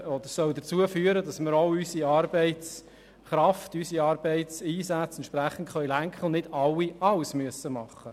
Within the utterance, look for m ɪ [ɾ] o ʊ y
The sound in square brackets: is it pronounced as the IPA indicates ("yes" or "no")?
yes